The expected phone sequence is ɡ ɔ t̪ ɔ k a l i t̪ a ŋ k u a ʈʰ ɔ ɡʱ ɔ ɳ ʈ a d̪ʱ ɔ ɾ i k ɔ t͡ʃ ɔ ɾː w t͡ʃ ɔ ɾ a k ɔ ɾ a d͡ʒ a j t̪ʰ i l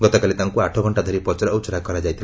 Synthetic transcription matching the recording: ɡ ɔ t̪ ɔ k a l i t̪ a ŋ k u a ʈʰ ɔ ɡʱ ɔ ɳ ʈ a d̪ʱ ɔ ɾ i p ɔ t͡ʃ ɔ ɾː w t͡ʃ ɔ ɾ a k ɔ ɾ a d͡ʒ a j t̪ʰ i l